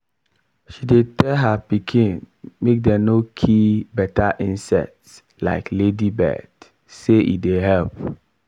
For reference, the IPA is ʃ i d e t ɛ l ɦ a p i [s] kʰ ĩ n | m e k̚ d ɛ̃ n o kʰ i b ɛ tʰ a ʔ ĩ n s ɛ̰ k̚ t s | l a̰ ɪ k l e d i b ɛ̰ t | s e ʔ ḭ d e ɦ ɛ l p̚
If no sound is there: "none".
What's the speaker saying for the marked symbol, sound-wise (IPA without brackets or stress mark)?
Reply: none